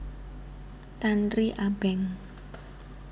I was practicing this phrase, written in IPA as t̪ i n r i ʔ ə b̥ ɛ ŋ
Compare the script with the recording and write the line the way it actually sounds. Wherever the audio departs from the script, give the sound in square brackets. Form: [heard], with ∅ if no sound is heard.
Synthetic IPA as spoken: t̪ [a] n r i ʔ [a] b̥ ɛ ŋ